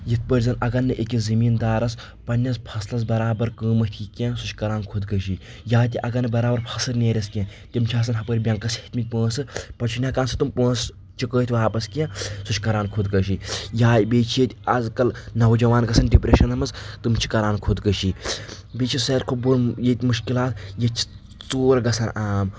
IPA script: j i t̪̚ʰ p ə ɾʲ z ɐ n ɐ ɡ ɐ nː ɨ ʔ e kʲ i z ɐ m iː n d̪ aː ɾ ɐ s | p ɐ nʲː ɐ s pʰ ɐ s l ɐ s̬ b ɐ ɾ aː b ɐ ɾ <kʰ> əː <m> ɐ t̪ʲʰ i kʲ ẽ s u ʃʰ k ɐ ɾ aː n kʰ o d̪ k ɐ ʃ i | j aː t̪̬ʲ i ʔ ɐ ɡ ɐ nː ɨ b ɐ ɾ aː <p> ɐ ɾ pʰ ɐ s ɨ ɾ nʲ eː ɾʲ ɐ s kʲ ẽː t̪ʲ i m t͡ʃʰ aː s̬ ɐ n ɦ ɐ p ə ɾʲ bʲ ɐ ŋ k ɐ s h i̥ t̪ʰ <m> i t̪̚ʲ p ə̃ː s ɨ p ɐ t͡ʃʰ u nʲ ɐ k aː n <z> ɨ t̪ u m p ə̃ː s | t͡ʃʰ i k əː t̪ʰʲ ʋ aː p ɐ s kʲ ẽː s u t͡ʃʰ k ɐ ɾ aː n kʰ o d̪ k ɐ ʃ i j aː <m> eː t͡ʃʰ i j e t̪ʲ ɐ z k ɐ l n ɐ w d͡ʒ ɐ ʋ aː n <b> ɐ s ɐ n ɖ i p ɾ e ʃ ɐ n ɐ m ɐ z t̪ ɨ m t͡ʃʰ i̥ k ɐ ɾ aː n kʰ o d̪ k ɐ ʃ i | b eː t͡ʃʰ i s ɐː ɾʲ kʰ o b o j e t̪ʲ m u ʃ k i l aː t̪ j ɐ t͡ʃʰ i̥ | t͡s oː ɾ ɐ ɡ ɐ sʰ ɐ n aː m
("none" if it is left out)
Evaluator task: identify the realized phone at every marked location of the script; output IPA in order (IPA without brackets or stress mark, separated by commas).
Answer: k, m, b, m, s, b, ɡ